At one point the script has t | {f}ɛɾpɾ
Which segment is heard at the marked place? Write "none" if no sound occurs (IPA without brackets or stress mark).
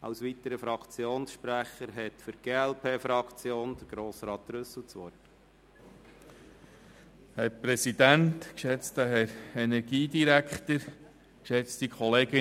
h